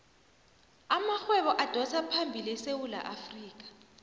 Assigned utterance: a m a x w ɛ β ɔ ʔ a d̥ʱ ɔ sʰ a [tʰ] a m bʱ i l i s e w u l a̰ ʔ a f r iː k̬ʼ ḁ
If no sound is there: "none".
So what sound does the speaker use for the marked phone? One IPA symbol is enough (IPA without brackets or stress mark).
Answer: pʰ